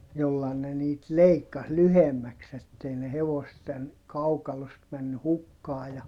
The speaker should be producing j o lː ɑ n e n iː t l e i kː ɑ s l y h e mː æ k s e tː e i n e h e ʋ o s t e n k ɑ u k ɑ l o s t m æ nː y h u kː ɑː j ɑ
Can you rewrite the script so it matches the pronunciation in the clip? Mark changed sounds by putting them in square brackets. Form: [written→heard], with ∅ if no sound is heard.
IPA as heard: j o lː ɑ n e n iː t l e i kː ɑ s l y h e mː æ k s e tː e i n e h e ʋ o s t e n k ɑ u k ɑ l o s t m æ nː y h u kː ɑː j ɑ